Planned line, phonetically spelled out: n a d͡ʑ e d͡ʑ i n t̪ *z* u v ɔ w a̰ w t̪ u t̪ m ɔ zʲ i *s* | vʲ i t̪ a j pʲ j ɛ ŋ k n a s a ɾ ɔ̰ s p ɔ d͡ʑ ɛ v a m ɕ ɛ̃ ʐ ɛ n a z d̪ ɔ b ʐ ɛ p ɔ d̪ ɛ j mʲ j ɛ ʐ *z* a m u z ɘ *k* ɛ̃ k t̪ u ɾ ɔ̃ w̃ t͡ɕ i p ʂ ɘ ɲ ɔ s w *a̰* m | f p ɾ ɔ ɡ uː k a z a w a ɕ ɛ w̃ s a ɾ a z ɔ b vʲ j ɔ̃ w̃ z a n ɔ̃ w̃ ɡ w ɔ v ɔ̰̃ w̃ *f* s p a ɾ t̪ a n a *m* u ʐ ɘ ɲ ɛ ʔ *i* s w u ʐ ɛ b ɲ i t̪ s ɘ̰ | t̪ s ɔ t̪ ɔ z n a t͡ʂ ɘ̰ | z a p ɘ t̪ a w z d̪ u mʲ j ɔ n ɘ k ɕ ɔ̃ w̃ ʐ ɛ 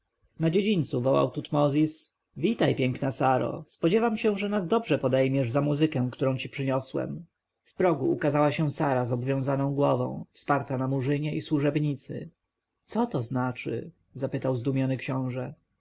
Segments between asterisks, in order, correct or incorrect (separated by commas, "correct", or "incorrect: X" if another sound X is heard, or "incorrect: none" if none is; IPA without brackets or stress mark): incorrect: s, correct, correct, correct, incorrect: ɛ̰, correct, correct, correct